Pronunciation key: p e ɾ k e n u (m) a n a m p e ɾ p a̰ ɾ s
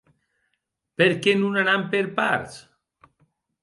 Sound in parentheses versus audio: incorrect: n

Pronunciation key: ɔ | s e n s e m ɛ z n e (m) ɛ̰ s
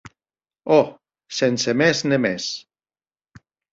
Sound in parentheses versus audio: correct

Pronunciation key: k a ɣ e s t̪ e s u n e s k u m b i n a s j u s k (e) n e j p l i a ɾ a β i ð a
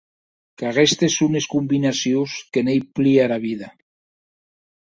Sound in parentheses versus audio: correct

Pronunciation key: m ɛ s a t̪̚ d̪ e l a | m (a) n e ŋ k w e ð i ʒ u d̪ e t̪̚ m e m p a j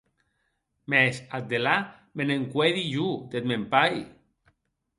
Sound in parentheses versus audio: incorrect: e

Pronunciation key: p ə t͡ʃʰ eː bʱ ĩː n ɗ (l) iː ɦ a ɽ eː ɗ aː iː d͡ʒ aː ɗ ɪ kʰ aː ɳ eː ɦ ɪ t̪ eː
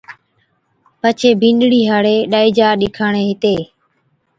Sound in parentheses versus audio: incorrect: ɽ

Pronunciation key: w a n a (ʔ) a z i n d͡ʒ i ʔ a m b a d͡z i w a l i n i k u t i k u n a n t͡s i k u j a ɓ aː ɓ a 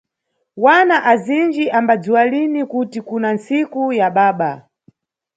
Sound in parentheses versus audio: correct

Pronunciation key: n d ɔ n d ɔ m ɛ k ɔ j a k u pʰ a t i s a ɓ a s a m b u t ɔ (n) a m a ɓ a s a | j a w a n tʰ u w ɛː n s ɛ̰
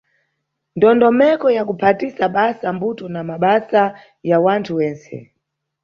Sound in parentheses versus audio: correct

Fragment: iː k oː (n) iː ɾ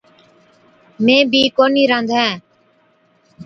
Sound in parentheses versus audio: correct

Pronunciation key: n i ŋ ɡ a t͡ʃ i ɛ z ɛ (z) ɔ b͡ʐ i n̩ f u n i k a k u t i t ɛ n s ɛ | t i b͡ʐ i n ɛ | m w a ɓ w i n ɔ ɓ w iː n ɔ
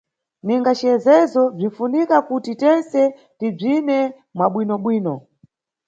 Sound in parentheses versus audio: correct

